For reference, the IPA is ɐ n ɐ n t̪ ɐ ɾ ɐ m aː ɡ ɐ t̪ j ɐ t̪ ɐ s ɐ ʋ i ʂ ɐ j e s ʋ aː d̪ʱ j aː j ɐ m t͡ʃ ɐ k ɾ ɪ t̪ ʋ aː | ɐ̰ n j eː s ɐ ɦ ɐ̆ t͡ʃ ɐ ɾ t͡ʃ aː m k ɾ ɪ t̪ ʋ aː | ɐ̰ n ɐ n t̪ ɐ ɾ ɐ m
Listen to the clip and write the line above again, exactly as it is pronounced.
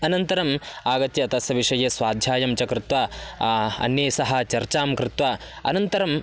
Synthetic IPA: ɐ n ɐ n t̪ ɐ ɾ ɐ m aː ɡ ɐ t̪ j ɐ t̪ ɐ s ɐ ʋ i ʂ ɐ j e s ʋ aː d̪ʱ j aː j ɐ m t͡ʃ ɐ k ɾ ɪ t̪ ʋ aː | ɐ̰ n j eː s ɐ ɦ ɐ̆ t͡ʃ ɐ ɾ t͡ʃ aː m k ɾ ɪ t̪ ʋ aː | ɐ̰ n ɐ n t̪ ɐ ɾ ɐ m